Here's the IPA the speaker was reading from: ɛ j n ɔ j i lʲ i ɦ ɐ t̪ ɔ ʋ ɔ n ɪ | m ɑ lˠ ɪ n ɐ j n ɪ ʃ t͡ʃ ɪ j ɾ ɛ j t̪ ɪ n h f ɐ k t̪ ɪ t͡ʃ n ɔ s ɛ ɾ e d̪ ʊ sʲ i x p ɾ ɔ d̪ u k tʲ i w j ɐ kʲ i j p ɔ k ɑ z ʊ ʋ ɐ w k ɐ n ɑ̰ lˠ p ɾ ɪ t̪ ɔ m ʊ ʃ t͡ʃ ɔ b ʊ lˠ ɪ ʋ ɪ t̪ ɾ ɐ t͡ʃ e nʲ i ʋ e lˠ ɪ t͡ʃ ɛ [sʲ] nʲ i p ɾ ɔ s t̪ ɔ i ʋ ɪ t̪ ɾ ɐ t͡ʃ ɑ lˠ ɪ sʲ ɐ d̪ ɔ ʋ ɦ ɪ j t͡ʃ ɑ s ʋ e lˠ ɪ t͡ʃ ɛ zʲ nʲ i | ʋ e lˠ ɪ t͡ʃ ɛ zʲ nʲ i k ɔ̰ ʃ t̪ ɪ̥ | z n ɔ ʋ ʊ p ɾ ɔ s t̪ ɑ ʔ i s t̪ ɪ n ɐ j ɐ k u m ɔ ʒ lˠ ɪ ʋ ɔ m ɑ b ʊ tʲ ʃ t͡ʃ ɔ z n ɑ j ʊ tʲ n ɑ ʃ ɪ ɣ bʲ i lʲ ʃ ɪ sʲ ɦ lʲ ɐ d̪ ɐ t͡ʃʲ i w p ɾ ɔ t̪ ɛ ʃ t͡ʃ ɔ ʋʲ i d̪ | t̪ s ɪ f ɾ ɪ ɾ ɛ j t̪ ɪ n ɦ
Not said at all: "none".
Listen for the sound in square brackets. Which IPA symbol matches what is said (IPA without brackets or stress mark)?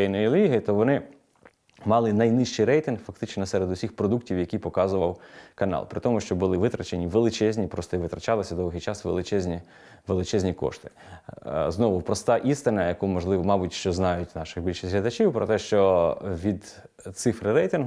zʲ